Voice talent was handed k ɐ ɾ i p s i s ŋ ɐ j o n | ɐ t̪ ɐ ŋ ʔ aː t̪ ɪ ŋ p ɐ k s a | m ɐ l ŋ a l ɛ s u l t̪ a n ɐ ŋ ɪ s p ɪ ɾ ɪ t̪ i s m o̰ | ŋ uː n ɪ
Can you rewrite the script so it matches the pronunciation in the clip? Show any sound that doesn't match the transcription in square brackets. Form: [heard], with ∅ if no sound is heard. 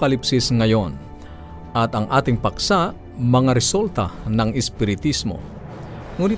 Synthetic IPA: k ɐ [l] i p s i s ŋ ɐ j o n | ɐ t̪ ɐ ŋ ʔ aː t̪ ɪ ŋ p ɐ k s a | m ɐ [∅] ŋ a [ɾ] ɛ s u l t̪ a n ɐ ŋ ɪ s p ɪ ɾ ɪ t̪ i s m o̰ | ŋ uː n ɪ